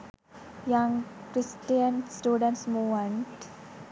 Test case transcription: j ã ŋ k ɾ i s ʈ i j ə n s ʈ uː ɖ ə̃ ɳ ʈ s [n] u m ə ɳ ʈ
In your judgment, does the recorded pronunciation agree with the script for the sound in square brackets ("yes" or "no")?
no